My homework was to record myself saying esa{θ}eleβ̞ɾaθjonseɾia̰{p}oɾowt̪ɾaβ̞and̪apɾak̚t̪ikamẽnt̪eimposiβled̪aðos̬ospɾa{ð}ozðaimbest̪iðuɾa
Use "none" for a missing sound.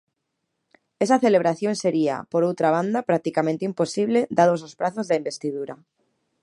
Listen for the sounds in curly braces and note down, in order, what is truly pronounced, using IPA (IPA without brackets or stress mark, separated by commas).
θ, p, θ